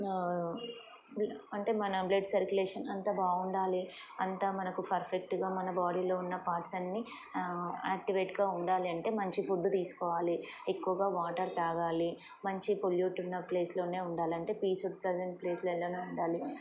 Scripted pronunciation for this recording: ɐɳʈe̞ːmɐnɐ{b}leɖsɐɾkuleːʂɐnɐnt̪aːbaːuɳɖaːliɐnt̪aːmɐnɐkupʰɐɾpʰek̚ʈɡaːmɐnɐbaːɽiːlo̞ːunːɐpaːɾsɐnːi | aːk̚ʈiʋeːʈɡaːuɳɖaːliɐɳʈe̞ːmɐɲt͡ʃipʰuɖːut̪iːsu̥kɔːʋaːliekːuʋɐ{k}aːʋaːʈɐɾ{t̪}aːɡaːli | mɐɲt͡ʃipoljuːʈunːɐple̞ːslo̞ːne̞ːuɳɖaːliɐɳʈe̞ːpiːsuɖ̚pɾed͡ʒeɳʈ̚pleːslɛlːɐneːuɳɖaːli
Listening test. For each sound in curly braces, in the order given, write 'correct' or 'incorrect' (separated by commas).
correct, incorrect, correct